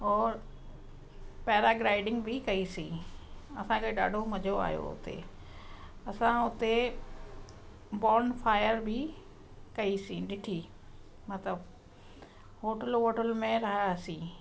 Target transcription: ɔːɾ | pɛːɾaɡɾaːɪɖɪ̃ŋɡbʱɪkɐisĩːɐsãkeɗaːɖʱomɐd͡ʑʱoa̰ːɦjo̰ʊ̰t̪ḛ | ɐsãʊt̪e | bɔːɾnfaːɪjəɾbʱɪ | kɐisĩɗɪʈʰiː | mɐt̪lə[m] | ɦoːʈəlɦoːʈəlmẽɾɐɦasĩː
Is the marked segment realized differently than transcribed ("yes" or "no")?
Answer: yes